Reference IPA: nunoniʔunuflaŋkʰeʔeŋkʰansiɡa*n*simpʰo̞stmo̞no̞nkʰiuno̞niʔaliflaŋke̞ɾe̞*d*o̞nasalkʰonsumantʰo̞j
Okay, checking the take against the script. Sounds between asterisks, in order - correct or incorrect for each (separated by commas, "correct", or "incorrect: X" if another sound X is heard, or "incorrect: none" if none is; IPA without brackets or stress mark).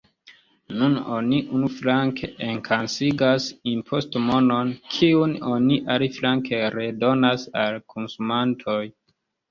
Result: incorrect: none, correct